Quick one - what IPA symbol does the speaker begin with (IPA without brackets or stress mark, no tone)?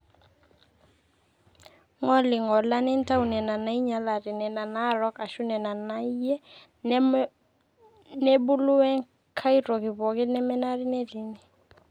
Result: ŋ